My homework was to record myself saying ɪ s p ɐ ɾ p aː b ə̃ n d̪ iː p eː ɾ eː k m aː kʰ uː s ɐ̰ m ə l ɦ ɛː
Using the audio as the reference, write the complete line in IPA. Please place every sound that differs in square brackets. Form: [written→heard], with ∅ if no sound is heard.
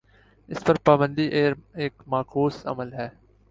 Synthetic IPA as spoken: ɪ s p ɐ ɾ p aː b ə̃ n d̪ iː [p→ʔ] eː ɾ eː k m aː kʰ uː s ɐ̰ m ə l ɦ ɛː